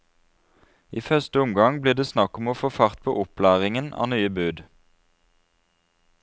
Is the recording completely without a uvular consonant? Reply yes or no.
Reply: no